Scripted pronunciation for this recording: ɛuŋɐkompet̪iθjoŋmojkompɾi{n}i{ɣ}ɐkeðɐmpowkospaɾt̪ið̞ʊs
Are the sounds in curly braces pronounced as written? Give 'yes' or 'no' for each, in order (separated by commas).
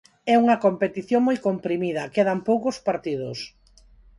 no, no